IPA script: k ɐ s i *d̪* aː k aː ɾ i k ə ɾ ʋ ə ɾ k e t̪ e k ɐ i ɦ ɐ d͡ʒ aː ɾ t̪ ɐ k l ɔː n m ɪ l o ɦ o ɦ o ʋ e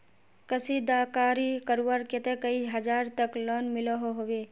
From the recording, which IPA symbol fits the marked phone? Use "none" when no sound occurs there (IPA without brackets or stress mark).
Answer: d̪